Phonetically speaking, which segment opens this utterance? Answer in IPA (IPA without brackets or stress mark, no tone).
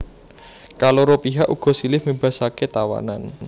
k